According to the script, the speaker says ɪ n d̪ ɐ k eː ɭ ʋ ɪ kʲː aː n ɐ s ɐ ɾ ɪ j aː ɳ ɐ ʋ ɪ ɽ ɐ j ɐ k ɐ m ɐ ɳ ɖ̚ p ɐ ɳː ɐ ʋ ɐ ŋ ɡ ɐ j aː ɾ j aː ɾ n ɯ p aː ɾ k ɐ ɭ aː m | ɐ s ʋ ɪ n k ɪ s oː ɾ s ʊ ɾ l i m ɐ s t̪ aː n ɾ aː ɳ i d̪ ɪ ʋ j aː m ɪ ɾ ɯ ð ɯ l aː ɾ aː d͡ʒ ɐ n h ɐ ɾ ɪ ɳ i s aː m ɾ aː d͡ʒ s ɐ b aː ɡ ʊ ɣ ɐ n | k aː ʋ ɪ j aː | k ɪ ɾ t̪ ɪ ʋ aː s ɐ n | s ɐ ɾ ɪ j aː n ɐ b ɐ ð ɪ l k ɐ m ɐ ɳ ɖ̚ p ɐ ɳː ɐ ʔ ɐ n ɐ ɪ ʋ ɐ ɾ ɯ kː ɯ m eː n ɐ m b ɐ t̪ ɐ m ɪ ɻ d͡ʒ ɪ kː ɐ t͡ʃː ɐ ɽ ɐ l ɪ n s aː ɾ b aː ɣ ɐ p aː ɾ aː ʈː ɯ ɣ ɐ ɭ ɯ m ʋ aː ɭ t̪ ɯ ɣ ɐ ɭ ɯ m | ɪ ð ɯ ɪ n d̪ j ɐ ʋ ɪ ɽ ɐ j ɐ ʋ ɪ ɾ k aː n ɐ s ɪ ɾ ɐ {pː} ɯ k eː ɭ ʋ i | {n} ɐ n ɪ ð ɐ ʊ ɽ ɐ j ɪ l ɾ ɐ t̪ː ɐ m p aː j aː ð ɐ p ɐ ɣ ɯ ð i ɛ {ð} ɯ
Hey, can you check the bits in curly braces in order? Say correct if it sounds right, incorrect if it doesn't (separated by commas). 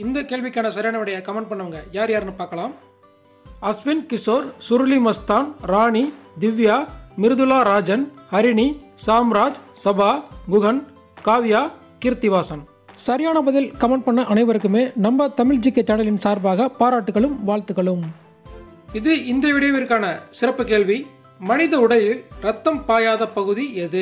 correct, incorrect, correct